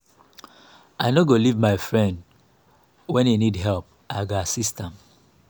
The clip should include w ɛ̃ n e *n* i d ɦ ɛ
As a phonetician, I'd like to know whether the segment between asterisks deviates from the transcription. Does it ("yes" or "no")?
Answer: no